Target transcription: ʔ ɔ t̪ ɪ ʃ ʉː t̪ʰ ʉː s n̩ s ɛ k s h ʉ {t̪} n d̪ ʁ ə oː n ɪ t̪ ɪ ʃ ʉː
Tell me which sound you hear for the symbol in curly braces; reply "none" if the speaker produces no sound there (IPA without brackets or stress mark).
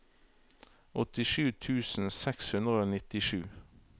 none